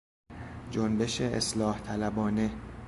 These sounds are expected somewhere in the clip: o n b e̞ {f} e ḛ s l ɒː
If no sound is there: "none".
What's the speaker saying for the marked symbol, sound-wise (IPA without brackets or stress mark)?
ʃ